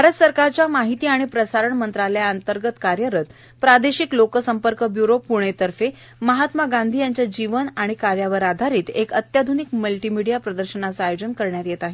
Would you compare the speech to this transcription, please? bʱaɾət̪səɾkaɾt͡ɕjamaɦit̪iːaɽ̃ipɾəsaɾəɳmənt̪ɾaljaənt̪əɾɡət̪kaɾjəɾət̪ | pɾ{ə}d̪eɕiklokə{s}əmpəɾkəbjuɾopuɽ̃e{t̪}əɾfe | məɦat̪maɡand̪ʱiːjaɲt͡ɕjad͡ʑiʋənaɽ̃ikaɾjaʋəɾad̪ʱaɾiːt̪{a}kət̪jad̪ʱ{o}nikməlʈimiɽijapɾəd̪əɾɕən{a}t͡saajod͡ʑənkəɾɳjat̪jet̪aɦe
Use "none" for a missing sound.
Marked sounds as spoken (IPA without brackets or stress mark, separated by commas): a, s, t̪, e, u, a